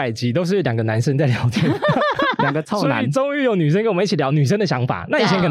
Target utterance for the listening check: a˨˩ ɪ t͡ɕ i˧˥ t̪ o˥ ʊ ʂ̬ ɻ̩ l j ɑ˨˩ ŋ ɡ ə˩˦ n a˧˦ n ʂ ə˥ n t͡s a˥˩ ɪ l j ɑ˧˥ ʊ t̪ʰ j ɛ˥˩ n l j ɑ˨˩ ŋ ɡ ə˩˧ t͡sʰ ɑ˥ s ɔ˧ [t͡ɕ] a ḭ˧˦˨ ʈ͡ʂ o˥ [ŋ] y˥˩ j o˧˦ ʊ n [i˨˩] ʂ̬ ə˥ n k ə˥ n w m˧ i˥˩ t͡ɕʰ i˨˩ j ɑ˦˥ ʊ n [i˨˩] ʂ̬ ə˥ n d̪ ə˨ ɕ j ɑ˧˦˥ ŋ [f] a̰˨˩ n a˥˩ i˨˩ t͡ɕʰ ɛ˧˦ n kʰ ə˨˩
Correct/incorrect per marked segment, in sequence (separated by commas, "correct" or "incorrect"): incorrect, correct, incorrect, incorrect, correct